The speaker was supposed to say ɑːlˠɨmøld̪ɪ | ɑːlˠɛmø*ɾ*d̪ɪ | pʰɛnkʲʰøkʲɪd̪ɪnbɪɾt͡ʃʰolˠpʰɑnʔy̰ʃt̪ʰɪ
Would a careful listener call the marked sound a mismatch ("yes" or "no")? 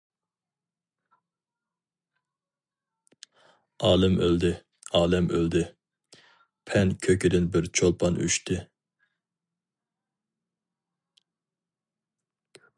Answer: yes